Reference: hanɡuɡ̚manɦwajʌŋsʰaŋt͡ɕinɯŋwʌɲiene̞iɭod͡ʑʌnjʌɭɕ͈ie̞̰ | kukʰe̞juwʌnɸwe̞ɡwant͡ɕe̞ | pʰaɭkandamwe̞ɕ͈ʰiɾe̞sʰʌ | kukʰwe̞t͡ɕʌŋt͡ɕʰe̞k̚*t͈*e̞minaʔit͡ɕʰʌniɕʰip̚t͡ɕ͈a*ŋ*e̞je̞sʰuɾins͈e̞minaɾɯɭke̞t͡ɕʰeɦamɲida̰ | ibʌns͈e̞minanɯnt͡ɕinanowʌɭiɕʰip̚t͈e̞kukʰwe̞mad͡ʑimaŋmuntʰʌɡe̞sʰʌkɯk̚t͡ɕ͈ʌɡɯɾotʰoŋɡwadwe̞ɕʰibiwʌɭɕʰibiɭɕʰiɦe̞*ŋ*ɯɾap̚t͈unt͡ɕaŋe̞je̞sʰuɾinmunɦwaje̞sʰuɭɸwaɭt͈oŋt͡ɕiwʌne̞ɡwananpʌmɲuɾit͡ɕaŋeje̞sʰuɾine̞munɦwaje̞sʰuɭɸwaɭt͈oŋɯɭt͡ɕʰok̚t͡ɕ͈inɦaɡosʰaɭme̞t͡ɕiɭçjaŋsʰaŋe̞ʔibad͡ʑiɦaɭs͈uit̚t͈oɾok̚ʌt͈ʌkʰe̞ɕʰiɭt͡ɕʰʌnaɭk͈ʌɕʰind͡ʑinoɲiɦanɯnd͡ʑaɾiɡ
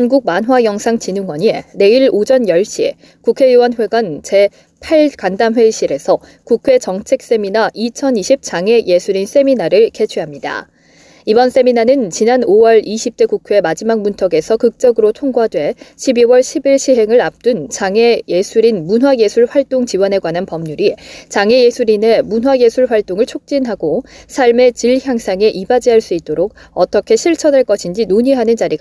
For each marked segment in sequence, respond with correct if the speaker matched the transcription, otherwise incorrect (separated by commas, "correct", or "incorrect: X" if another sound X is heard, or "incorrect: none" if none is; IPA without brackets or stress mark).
incorrect: s͈, correct, correct